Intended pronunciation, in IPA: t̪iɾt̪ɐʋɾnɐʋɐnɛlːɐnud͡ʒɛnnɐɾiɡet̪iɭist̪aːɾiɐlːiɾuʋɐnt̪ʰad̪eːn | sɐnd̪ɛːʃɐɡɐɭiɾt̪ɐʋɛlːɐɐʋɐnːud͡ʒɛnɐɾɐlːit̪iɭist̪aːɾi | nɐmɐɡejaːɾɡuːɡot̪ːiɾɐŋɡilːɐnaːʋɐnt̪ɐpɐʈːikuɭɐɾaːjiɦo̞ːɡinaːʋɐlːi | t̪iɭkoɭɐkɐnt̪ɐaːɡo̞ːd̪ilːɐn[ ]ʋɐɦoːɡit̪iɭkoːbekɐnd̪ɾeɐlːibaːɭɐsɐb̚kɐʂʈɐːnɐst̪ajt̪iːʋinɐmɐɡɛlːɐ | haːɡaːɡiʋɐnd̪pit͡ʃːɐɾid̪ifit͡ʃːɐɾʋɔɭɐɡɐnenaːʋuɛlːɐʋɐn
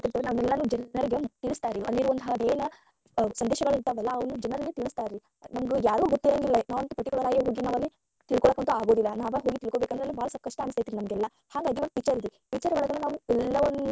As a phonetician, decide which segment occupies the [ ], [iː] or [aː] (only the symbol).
aː